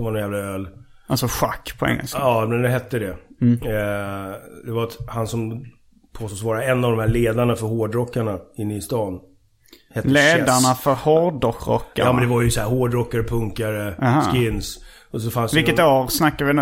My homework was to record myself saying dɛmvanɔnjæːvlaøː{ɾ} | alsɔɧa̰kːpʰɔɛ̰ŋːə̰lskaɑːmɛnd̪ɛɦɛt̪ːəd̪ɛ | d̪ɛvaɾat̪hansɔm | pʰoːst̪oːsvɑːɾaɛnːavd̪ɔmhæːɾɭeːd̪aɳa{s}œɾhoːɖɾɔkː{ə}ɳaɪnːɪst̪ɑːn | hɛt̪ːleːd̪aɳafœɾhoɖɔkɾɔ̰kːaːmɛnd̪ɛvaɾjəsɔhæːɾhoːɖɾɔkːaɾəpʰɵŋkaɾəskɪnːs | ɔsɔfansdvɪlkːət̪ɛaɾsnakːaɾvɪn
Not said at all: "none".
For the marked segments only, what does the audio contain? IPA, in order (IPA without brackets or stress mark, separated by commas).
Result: l, f, a